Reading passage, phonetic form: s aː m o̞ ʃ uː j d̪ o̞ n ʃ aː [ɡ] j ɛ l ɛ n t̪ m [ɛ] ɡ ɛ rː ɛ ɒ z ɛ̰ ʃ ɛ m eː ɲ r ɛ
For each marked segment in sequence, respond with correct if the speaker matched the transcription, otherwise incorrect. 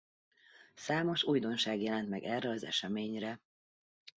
correct, correct

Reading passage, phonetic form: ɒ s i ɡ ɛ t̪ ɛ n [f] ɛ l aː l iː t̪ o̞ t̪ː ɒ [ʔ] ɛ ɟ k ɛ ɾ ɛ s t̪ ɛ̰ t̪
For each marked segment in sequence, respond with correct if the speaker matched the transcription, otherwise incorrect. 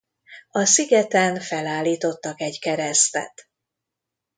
correct, incorrect: k

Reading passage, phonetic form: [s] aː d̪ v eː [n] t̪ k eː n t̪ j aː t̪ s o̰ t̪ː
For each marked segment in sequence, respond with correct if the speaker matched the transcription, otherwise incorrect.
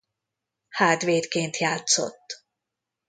incorrect: h, incorrect: none

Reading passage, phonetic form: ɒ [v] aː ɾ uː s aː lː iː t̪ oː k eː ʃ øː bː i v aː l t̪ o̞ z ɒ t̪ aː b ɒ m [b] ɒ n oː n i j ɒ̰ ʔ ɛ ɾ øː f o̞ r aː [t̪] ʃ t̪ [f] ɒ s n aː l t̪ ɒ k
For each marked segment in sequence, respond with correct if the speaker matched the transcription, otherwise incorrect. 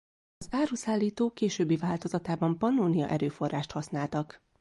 incorrect: z, incorrect: p, incorrect: none, incorrect: h

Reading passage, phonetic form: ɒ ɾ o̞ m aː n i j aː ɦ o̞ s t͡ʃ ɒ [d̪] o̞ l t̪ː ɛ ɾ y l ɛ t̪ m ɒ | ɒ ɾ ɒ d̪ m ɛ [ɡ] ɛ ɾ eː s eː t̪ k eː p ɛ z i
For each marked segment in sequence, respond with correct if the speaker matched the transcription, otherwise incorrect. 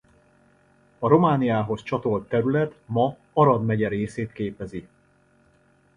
incorrect: t̪, incorrect: ɟ

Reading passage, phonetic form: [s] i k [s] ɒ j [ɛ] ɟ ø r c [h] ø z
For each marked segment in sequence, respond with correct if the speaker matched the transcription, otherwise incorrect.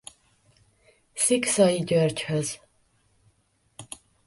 correct, correct, incorrect: i, correct

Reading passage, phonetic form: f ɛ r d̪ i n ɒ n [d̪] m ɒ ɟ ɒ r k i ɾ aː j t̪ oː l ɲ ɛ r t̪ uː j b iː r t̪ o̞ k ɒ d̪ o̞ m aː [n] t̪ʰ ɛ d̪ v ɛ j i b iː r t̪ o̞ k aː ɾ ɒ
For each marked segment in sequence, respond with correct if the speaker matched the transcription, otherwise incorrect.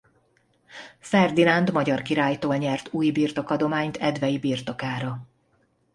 correct, incorrect: ɲ

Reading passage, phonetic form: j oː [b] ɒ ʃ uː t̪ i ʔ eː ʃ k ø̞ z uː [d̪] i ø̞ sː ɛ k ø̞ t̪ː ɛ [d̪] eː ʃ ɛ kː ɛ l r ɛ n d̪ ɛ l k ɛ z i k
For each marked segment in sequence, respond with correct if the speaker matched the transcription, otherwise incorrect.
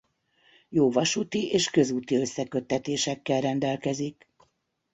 incorrect: v, incorrect: t̪, incorrect: t̪

